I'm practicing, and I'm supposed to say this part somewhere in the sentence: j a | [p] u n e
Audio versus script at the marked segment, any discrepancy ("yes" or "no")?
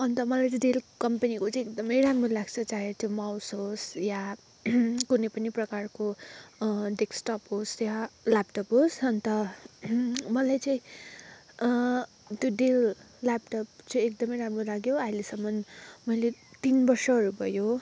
yes